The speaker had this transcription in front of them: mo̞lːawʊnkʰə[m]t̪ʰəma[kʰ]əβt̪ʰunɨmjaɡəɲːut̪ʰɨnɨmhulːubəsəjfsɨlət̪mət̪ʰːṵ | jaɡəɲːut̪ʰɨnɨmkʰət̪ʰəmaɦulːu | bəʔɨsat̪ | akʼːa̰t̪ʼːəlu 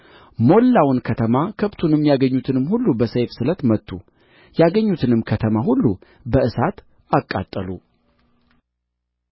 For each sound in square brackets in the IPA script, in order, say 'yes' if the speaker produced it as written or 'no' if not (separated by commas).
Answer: no, yes